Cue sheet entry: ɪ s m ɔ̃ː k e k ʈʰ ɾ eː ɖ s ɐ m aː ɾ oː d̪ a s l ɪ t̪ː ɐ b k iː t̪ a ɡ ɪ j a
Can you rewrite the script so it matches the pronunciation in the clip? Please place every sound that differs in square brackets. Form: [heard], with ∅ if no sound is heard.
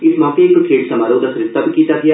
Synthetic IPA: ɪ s m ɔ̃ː k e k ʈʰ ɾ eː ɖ s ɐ m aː ɾ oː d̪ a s [ɾ] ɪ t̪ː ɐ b k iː t̪ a ɡ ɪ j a